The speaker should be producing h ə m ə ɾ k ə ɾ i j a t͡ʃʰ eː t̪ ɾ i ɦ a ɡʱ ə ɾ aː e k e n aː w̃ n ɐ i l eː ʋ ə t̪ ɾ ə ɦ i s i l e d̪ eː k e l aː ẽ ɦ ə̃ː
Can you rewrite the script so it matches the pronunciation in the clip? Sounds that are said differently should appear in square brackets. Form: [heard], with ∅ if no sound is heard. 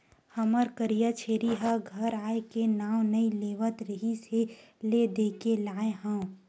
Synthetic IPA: h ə m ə ɾ k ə ɾ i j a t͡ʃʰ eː [∅] ɾ i ɦ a ɡʱ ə ɾ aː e k e n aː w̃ n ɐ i l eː ʋ ə t̪ ɾ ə ɦ i s [e] l e d̪ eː k e l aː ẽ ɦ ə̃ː